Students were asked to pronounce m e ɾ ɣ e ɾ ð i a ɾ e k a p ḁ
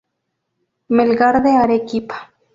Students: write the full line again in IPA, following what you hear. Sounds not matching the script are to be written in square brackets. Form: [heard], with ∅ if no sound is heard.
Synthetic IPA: m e [l] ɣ [a] ɾ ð [e] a ɾ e k [i] p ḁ

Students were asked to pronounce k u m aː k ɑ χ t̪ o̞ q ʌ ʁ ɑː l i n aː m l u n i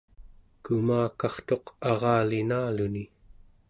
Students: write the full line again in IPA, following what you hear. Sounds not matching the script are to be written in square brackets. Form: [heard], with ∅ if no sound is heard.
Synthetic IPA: k u m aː k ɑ χ t̪ o̞ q [ɑ] ʁ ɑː l i n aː [∅] l u n i

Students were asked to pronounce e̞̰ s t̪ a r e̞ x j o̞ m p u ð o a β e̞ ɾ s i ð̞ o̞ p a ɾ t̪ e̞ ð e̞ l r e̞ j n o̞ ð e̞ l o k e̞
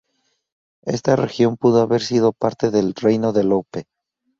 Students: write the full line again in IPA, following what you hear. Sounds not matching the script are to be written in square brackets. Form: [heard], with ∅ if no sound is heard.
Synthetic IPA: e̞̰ s t̪ a r e̞ x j o̞ m p u ð o a β e̞ ɾ s i ð̞ o̞ p a ɾ t̪ e̞ ð e̞ l r e̞ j n o̞ ð e̞ l o [p] e̞

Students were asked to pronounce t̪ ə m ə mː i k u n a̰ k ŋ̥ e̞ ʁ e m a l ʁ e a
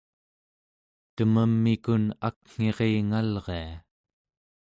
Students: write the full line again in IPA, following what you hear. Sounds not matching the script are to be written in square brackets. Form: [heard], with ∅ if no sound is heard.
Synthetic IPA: t̪ ə m ə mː i k u n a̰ k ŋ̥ e̞ ʁ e [ŋ] a l ʁ e a

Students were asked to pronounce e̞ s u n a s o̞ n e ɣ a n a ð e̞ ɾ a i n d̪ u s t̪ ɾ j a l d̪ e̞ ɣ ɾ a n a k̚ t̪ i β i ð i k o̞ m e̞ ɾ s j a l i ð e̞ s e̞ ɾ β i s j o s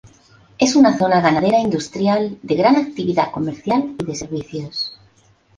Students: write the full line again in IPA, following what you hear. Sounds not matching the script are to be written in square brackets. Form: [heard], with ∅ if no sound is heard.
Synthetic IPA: e̞ s u n a [θ] o̞ n [a] ɣ a n a ð e̞ ɾ a i n d̪ u s t̪ ɾ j a l d̪ e̞ ɣ ɾ a n a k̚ t̪ i β i ð [a] k o̞ m e̞ ɾ [θ] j a l i ð e̞ s e̞ ɾ β i [θ] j o s

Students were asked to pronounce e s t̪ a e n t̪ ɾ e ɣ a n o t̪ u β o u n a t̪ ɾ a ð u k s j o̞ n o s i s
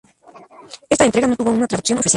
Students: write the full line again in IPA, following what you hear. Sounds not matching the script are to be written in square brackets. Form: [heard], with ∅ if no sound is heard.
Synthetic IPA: e s t̪ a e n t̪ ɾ e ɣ a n o t̪ u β o u n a t̪ ɾ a ð u k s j o̞ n o [f] i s

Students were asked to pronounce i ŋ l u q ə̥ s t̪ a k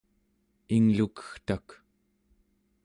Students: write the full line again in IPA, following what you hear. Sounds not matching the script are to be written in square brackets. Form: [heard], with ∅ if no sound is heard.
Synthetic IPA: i ŋ l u [k] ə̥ [x] t̪ a k

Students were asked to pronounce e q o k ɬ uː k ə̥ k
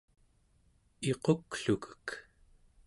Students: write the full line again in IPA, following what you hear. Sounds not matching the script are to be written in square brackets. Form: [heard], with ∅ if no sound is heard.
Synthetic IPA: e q o k ɬ [u] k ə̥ k

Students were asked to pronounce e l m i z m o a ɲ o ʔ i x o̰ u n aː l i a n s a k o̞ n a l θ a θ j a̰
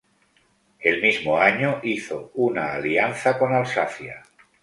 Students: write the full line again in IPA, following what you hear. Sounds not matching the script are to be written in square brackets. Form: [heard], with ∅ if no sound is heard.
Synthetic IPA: e l m i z m o a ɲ o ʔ i [θ] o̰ u n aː l i a n [θ] a k o̞ n a l [s] a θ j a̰

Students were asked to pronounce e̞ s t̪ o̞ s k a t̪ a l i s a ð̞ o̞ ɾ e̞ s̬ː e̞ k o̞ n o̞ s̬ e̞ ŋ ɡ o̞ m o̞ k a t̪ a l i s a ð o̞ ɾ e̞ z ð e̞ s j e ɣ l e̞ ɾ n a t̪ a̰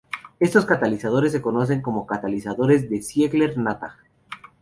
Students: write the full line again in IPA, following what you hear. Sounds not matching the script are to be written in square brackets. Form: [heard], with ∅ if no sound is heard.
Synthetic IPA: e̞ s t̪ o̞ s k a t̪ a l i s a ð̞ o̞ ɾ e̞ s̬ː e̞ k o̞ n o̞ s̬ e̞ ŋ [k] o̞ m o̞ k a t̪ a l i s a ð o̞ ɾ e̞ z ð e̞ s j e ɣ l e̞ ɾ n a t̪ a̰

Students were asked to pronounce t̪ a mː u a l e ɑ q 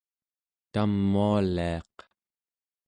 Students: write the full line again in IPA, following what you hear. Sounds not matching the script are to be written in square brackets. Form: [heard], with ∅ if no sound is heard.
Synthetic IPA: t̪ a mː u a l [i] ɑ q

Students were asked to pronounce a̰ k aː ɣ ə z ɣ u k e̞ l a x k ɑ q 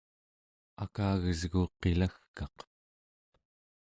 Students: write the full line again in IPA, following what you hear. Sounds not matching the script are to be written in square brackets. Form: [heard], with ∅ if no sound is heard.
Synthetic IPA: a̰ k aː ɣ ə z ɣ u [q] e̞ l a x k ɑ q

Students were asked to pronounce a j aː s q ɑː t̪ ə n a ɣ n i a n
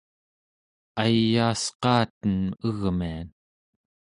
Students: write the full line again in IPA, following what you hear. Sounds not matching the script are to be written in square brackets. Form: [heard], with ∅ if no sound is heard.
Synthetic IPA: a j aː s q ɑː t̪ ə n [ə] ɣ [m] i a n

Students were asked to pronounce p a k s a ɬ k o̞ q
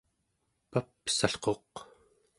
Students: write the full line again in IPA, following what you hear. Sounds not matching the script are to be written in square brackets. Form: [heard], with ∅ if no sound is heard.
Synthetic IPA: p a [p] s a ɬ [q] o̞ q

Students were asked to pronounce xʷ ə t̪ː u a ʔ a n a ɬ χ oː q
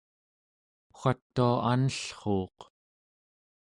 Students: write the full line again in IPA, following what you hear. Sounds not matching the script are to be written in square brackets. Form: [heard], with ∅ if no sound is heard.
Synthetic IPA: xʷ [a] t̪ː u a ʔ a n [ə] ɬ χ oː q

